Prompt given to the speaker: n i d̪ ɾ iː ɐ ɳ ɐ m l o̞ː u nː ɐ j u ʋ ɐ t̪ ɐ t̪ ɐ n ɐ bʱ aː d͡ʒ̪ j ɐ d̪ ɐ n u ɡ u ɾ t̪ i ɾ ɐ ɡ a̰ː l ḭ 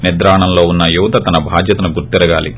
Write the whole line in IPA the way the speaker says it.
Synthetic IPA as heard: n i d̪ ɾ aː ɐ ɳ ɐ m l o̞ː u nː ɐ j u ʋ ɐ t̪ ɐ t̪ ɐ n ɐ bʱ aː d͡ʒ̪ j ɐ t̪ ɐ n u ɡ u ɾ t̪ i ɾ ɐ ɡ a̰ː l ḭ